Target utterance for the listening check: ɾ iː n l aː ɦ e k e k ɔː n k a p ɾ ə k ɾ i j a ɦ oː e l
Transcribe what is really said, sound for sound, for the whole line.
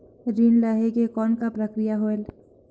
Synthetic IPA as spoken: ɾ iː n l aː ɦ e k e k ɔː n k a p ɾ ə k ɾ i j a ɦ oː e l